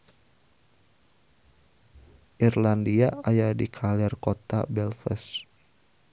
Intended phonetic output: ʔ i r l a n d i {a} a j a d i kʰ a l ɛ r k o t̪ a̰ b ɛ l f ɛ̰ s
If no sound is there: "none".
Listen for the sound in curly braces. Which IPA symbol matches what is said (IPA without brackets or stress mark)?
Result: a